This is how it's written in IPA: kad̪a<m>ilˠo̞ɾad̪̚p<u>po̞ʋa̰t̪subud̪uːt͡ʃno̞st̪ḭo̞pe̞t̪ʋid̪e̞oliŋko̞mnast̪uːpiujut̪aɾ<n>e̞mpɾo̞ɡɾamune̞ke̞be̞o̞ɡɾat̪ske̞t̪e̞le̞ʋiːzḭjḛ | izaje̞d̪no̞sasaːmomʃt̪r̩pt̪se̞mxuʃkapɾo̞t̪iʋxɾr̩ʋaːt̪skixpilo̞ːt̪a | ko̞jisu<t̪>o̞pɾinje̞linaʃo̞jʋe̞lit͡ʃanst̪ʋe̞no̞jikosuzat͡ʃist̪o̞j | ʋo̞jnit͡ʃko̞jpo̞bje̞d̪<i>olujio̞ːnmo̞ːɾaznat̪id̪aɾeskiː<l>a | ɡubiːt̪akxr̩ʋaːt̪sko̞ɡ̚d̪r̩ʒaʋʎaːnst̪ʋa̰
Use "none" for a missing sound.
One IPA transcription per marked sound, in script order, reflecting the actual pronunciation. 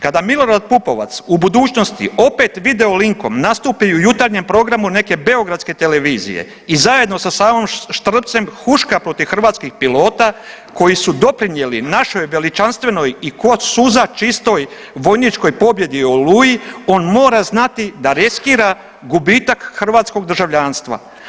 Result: m, u, ɲ, d̪, i, ɾ

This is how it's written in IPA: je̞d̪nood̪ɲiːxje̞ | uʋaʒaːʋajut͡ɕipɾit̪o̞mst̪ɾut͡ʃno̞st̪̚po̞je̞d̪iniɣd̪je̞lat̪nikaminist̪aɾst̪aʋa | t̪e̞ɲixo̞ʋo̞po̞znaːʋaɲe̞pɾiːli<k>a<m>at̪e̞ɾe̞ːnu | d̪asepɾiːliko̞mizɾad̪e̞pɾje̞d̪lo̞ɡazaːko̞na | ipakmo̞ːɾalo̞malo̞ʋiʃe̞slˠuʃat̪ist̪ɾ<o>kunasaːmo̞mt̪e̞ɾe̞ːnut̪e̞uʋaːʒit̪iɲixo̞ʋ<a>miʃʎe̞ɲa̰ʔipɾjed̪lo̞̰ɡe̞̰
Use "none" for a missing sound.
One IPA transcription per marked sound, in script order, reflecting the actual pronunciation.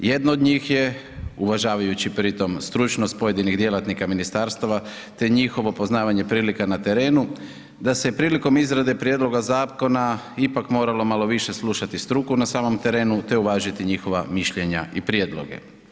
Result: k, n, u, a

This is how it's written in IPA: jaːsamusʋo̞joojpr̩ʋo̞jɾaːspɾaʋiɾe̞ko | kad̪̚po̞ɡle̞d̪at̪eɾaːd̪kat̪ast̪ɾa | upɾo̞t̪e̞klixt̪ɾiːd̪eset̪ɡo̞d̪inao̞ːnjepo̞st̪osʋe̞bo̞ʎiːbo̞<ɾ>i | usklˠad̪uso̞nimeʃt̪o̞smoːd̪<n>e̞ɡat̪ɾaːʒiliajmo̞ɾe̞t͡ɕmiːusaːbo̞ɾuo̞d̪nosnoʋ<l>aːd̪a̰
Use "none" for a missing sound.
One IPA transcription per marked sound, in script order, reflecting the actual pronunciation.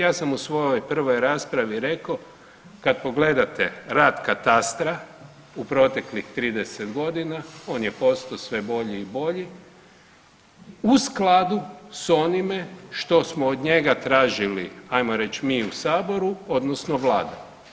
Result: ʎ, ɲ, l

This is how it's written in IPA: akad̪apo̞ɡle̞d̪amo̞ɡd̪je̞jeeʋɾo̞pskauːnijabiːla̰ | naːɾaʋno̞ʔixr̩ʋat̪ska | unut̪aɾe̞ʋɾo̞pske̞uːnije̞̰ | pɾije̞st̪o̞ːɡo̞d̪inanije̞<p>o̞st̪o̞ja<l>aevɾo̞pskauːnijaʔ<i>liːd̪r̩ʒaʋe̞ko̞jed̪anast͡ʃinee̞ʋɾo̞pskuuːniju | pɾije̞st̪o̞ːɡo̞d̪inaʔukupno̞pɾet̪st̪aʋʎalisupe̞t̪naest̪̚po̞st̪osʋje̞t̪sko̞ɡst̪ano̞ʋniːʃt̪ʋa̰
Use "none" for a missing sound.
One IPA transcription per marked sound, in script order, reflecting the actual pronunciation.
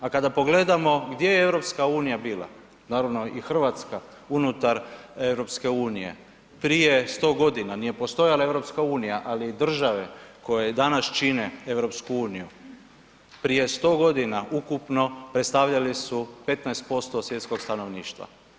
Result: p, l, a

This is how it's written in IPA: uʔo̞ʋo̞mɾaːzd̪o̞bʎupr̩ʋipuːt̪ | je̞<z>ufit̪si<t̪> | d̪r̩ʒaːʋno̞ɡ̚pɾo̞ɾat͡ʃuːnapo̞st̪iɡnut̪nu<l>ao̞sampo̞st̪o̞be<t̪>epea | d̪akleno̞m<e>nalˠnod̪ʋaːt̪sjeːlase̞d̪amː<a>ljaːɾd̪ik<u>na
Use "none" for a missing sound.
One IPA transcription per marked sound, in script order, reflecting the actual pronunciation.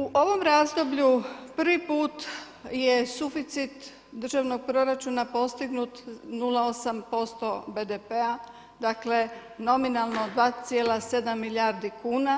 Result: s, t̪, l, d̪, i, i, uː

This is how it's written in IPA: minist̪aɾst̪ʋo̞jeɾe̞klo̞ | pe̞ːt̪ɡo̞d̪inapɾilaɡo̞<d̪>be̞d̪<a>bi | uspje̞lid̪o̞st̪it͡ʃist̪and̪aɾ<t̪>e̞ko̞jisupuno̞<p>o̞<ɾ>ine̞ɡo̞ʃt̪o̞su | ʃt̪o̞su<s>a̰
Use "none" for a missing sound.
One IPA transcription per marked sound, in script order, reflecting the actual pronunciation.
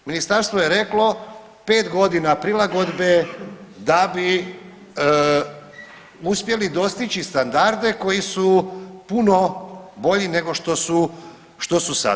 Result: d̪, a, d̪, b, ʎ, s

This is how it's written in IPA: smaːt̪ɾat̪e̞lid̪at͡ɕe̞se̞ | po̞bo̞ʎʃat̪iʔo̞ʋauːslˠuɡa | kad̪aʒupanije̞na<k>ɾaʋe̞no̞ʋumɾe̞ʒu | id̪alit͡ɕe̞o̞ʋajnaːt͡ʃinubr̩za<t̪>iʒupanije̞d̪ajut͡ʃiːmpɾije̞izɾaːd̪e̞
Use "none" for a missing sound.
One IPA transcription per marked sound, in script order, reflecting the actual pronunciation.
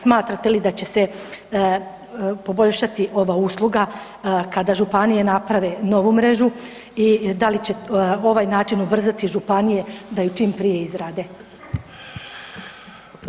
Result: p, t̪

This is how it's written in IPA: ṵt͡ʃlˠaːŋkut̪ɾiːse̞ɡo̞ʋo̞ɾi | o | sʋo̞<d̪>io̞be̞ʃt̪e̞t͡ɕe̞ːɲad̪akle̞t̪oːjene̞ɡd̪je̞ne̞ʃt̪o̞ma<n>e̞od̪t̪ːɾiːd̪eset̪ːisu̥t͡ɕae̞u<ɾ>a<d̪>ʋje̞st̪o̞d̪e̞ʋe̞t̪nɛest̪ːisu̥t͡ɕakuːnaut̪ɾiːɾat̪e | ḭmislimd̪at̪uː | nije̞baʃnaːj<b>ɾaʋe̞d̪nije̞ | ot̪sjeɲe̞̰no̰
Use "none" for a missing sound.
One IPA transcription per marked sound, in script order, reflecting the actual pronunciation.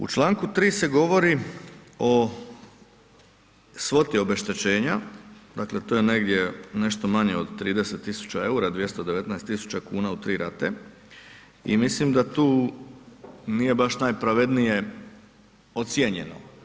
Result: t̪, ɲ, ɾ, d̪, p

